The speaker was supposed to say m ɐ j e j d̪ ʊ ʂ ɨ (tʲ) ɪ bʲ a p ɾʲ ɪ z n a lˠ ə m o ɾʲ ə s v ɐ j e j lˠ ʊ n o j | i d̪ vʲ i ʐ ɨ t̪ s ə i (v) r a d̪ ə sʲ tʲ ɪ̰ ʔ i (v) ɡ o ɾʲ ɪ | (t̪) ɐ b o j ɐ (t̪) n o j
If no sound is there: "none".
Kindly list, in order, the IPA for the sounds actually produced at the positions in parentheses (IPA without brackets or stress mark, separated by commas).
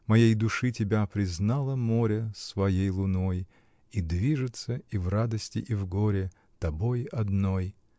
tʲ, v, v, t̪, d̪